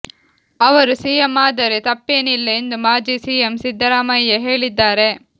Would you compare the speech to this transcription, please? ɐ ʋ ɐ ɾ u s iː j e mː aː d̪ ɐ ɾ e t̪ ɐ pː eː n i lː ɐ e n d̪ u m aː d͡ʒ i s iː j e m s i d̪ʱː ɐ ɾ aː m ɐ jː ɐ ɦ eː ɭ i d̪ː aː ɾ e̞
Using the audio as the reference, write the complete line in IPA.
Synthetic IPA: ɐ ʋ ɐ ɾ u s iː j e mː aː d̪ ɐ ɾ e t̪ ɐ pː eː n i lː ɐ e n d̪ u m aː d͡ʒ i s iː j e m s i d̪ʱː ɐ ɾ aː m ɐ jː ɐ ɦ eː ɭ i d̪ː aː ɾ e̞